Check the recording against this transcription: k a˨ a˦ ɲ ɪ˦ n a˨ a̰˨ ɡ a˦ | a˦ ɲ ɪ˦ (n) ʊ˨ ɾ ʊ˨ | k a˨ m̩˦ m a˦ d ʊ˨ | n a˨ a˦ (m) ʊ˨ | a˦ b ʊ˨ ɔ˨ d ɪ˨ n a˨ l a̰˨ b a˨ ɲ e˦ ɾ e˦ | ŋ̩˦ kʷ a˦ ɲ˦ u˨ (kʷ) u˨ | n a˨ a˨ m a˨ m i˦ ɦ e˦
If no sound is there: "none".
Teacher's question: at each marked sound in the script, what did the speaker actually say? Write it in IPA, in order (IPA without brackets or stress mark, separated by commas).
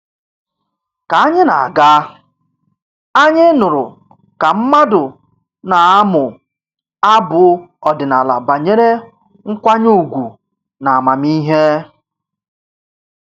n, m, ɡʷ